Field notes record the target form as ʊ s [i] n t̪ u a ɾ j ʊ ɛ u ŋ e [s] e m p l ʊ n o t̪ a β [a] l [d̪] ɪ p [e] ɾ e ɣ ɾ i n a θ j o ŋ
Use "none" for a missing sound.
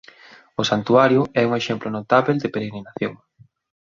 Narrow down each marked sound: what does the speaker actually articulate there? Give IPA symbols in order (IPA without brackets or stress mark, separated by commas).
a, ʃ, e, d̪, e